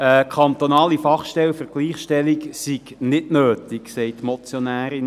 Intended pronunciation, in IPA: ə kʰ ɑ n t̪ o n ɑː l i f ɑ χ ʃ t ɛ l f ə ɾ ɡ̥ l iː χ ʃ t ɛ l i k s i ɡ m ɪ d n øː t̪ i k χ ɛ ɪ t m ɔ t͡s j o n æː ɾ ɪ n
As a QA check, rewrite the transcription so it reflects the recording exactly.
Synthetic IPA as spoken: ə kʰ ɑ n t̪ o n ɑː l i f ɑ χ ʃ t ɛ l f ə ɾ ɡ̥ l iː χ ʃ t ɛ l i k s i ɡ n ɪ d n øː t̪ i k s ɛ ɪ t m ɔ t͡s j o n æː ɾ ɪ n

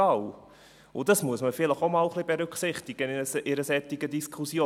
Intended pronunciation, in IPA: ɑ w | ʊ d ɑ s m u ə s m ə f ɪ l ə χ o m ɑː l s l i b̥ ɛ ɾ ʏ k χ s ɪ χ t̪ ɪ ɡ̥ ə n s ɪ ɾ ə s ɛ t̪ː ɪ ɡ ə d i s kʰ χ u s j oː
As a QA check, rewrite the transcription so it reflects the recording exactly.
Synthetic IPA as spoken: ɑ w | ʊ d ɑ s m u ə s m ə f ɪ l ə χ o m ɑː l χ l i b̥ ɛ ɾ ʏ k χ s ɪ χ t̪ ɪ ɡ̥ ə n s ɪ ɾ ə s ɛ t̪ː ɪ ɡ ə d i s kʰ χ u s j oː

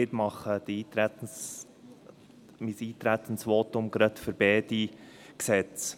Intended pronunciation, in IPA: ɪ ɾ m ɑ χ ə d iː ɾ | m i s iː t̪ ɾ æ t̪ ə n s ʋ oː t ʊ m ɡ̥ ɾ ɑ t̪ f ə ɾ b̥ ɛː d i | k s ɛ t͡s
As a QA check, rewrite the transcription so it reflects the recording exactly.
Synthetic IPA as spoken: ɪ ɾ m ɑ χ ə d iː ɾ | m i s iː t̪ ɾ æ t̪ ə n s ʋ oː t ʊ m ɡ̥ ɾ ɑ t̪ f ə ɾ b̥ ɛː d i | k s ɛ t͡s

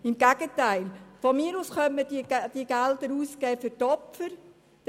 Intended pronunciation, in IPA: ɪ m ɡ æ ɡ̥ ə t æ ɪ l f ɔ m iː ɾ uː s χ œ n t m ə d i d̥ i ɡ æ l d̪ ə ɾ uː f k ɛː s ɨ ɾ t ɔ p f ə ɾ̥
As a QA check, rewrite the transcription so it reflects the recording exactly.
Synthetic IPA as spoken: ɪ m ɡ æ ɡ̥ ə t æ ɪ l f ɔ m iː ɾ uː s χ œ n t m ə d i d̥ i ɡ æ l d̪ ə ɾ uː s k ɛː f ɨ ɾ t ɔ p f ə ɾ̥

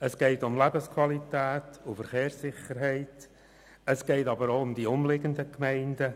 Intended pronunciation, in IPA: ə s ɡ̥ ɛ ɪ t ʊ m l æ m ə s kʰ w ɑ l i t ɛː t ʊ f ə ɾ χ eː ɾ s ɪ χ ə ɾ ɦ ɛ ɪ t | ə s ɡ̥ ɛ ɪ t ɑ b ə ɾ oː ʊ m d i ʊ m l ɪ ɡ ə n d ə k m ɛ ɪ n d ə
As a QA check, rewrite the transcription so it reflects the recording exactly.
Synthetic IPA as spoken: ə s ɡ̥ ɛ ɪ t ʊ m l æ b ə s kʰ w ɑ l i t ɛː t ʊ f ə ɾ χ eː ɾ s ɪ χ ə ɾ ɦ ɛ ɪ t | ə s ɡ̥ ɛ ɪ t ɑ b ə ɾ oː ʊ m d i ʊ m l ɪ ɡ ə n d ə k m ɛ ɪ n d ə

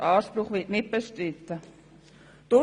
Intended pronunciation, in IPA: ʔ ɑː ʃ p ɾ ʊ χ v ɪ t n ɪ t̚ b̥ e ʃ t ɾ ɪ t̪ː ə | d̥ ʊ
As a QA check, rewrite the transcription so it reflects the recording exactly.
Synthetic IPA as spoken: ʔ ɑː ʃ p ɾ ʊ χ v ɪ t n ɪ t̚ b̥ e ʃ t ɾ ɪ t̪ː ə | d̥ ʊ

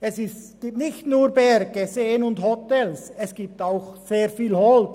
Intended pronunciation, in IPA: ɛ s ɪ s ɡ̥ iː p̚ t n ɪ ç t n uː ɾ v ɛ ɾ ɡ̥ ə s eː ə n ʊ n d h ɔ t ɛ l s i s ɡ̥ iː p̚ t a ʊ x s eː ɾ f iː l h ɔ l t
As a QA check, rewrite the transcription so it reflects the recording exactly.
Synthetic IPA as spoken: ɛ s ɪ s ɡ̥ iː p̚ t n ɪ ç t n uː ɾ b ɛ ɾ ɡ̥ ə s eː ə n ʊ n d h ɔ t ɛ l s ɛ s ɡ̥ iː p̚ t a ʊ x s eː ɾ f iː l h ɔ l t

